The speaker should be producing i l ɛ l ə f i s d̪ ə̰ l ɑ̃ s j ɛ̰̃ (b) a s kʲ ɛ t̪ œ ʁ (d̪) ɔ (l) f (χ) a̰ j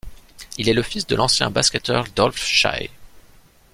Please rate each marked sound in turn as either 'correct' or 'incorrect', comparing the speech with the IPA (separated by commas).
correct, correct, correct, incorrect